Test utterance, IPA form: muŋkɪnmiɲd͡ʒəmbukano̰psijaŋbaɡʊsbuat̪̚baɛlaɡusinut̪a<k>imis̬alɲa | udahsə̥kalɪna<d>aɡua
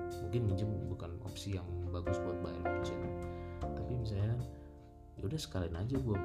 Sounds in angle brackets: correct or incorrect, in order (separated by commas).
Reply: incorrect, incorrect